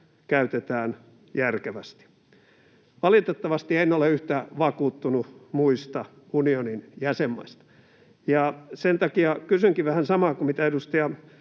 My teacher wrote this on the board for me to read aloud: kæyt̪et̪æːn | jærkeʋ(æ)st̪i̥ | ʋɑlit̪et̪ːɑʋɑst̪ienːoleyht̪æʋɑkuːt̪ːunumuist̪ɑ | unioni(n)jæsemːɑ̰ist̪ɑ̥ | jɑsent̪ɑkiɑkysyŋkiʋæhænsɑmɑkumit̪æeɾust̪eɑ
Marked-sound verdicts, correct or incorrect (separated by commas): correct, correct